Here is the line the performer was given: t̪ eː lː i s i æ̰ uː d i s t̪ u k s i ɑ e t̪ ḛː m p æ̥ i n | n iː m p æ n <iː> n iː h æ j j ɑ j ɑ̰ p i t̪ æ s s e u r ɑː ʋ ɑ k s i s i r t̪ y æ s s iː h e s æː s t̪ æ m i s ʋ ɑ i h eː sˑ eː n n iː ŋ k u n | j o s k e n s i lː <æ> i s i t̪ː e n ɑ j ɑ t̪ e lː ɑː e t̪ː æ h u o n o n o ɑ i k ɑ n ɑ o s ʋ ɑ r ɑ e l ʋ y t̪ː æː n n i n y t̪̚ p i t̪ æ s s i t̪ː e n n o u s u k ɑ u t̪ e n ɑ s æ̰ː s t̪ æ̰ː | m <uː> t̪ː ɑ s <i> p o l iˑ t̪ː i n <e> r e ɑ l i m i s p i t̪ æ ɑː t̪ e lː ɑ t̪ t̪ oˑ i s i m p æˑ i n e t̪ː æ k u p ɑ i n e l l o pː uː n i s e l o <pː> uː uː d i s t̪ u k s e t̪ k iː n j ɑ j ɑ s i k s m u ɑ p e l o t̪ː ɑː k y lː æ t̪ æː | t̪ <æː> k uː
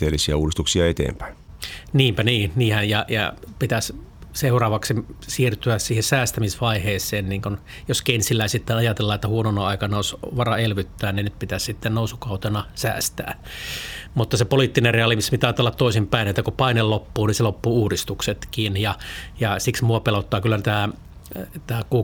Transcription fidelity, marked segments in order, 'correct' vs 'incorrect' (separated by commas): correct, correct, incorrect, incorrect, correct, correct, correct